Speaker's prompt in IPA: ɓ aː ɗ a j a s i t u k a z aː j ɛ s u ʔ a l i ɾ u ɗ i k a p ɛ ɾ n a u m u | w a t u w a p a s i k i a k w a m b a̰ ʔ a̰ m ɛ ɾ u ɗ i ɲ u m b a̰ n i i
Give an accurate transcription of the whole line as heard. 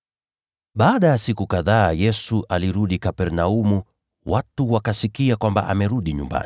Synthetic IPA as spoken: ɓ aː ɗ a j a s i k u k a ð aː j ɛ s u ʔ a l i ɾ u ɗ i k a p ɛ ɾ n a u m u | w a t u w a k a s i k i a k w a m b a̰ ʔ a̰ m ɛ ɾ u ɗ i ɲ u m b a̰ n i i